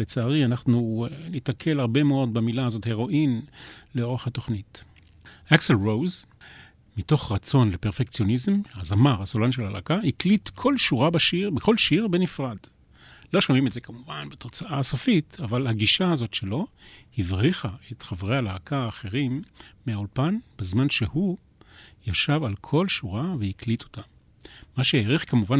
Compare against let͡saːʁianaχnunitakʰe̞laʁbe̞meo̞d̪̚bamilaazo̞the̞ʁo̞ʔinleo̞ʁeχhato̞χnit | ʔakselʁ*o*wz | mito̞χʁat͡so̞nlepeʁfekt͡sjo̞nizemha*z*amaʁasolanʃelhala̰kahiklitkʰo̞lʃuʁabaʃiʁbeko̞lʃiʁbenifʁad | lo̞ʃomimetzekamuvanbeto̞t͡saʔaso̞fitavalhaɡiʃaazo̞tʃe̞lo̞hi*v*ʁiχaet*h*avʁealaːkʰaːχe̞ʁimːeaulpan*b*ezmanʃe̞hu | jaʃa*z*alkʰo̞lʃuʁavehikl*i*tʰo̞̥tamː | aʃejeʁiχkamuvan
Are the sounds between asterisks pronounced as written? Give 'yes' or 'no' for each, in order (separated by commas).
yes, yes, yes, no, yes, no, yes